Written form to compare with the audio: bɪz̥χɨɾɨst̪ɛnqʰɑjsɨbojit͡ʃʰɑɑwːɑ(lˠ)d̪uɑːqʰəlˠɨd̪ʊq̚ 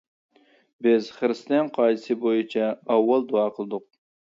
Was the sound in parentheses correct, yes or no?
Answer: yes